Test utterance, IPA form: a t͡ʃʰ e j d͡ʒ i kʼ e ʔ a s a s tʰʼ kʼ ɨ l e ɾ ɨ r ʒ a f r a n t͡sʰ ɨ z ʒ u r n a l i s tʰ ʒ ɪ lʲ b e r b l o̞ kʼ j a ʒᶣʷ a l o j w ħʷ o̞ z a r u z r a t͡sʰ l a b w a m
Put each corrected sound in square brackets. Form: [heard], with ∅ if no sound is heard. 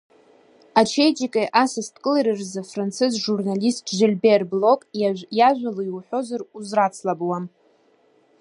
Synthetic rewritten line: a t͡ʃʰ e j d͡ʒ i kʼ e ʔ a s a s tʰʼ kʼ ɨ l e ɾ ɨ r [z] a f r a n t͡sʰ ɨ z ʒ u r n a l i s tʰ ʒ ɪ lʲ b e r b l o̞ kʼ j a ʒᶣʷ a l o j w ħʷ o̞ z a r u z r a t͡sʰ l a b w a m